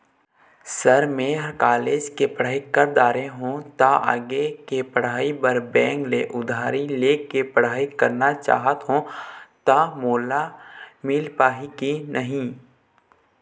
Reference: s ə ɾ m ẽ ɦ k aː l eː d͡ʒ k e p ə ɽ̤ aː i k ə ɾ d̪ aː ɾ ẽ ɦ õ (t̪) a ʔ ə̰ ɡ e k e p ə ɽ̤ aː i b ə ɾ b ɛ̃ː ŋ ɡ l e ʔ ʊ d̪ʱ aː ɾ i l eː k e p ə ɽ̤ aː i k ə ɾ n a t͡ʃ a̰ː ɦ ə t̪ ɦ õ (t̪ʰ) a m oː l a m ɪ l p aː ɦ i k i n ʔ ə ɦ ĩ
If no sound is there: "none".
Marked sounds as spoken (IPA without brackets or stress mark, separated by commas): t̪, t̪